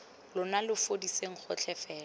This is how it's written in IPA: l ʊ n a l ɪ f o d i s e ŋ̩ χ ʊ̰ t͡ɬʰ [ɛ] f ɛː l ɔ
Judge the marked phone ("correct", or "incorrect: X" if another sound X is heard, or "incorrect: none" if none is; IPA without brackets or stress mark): correct